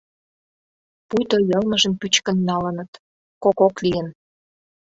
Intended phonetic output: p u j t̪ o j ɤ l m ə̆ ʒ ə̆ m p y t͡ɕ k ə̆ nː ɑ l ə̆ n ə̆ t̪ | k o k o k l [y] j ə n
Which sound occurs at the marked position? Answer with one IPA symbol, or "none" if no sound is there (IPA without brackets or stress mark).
i